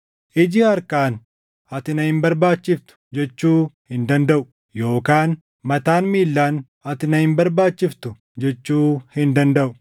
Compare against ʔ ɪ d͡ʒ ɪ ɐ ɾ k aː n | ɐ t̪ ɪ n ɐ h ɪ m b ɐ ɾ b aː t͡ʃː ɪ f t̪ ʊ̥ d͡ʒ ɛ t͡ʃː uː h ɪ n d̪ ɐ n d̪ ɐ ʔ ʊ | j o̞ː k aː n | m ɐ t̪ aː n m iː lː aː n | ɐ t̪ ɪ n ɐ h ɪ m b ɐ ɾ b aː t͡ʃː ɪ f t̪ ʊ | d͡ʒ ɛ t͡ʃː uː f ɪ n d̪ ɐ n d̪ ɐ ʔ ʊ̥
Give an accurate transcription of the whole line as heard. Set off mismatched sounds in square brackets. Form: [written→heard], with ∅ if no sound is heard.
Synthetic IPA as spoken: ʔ ɪ d͡ʒ ɪ ɐ ɾ k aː n | ɐ t̪ ɪ n ɐ h ɪ m b ɐ ɾ b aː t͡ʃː ɪ f t̪ ʊ̥ d͡ʒ ɛ t͡ʃː uː h ɪ n d̪ ɐ n d̪ ɐ ʔ ʊ | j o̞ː k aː n | m ɐ t̪ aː n m iː lː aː n | ɐ t̪ ɪ n ɐ h ɪ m b ɐ ɾ b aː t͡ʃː ɪ f t̪ ʊ | d͡ʒ ɛ t͡ʃː uː [f→h] ɪ n d̪ ɐ n d̪ ɐ ʔ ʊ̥

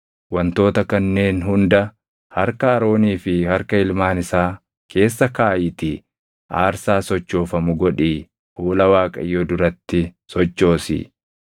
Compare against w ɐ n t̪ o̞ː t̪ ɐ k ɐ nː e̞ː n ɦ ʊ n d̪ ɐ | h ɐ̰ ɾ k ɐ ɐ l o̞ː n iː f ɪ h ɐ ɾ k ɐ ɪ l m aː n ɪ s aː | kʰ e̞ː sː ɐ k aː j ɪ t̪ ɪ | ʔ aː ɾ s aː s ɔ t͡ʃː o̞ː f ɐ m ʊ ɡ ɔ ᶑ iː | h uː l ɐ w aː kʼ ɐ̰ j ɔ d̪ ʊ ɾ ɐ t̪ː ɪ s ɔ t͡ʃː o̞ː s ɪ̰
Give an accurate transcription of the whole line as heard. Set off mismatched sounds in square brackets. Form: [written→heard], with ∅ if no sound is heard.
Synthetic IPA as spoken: w ɐ n t̪ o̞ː t̪ ɐ k ɐ nː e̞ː n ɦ ʊ n d̪ ɐ | h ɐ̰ ɾ k ɐ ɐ [l→ɾ] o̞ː n iː f ɪ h ɐ ɾ k ɐ ɪ l m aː n ɪ s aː | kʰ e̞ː sː ɐ k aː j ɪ t̪ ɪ | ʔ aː ɾ s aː s ɔ t͡ʃː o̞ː f ɐ m ʊ ɡ ɔ ᶑ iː | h uː l ɐ w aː kʼ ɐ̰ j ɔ d̪ ʊ ɾ ɐ t̪ː ɪ s ɔ t͡ʃː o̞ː s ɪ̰

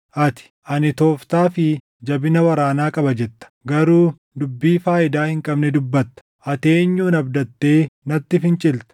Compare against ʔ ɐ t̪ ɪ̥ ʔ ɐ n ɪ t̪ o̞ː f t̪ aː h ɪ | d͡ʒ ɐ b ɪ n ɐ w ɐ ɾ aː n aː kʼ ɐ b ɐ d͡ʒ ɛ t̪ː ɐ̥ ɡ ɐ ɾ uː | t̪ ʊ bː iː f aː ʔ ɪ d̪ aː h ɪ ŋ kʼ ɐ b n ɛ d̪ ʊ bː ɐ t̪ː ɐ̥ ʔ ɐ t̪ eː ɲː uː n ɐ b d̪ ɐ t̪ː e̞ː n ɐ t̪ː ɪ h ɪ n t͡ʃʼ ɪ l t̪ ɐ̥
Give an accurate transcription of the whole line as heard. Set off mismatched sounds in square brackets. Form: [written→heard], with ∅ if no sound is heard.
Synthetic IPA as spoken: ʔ ɐ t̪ ɪ̥ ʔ ɐ n ɪ t̪ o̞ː f t̪ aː [h→f] ɪ | d͡ʒ ɐ b ɪ n ɐ w ɐ ɾ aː n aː kʼ ɐ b ɐ d͡ʒ ɛ t̪ː ɐ̥ ɡ ɐ ɾ uː | [t̪→d̪] ʊ bː iː f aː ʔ ɪ d̪ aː h ɪ ŋ kʼ ɐ b n ɛ d̪ ʊ bː ɐ t̪ː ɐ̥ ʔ ɐ t̪ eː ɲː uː n ɐ b d̪ ɐ t̪ː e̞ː n ɐ t̪ː ɪ [h→f] ɪ n t͡ʃʼ ɪ l t̪ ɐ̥

